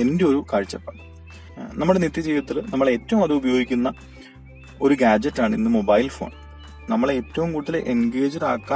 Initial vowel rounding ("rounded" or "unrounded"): unrounded